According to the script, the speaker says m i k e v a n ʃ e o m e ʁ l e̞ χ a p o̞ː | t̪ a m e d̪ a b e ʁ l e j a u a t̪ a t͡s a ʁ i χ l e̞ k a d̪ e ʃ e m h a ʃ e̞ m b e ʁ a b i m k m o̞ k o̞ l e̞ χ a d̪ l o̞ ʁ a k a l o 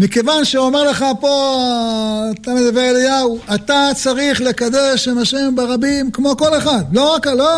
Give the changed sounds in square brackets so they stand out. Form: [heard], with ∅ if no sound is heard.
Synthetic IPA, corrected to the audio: m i k e v a n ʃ e o m e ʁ l e̞ χ a p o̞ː | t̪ a m e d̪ a b e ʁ l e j a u a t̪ a t͡s a ʁ i χ l e̞ k a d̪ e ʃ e m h a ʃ e̞ m b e ʁ a b i m k m o̞ k o̞ l e̞ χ a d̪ l o̞ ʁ a k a l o